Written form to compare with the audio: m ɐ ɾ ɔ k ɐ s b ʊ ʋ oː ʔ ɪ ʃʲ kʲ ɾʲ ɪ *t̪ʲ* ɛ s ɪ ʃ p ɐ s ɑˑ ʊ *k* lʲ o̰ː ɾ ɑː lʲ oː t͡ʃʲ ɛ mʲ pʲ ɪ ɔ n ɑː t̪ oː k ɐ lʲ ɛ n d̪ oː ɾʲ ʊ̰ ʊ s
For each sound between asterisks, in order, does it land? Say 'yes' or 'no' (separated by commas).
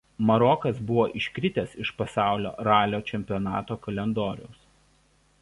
yes, no